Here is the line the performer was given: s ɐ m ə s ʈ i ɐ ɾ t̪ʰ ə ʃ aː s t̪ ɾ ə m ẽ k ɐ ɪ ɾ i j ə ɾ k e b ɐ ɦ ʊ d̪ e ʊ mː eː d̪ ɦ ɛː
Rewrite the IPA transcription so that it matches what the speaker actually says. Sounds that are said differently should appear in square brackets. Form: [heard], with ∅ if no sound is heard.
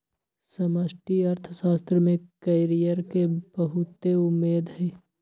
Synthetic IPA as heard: s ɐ m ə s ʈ i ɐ ɾ t̪ʰ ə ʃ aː s t̪ ɾ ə m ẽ k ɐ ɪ ɾ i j ə ɾ k e b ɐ ɦ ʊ [t̪] e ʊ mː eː d̪ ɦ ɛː